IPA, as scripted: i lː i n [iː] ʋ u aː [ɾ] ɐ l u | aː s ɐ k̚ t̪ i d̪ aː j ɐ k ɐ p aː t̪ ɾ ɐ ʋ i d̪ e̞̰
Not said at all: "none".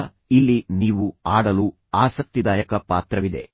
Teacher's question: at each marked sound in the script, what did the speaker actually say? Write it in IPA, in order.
iː, ɽ

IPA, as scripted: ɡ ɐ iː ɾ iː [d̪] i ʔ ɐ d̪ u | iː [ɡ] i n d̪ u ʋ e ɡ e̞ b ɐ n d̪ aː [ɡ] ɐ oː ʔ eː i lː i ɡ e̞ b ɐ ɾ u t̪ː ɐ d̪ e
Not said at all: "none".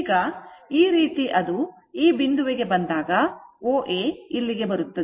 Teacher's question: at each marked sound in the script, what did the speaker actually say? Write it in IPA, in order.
t̪, b, ɡ

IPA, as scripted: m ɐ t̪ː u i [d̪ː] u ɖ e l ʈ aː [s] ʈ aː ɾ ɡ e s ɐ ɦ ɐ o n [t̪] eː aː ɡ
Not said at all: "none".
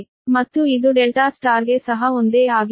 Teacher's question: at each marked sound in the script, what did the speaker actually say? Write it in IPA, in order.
d̪, s, d̪

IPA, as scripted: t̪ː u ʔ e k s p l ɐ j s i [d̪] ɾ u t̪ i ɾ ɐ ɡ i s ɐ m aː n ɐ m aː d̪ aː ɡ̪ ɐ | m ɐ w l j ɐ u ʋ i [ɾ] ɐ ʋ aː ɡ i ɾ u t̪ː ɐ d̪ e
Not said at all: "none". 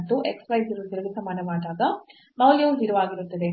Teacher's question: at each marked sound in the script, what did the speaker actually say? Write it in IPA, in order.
none, ɾ

